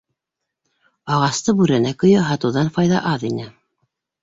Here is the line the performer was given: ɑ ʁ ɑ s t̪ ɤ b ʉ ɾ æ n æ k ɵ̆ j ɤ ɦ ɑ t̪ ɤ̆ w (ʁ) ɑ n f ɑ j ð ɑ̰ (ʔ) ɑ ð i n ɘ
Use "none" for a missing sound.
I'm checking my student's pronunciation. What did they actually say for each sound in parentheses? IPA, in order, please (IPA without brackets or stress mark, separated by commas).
ð, ʔ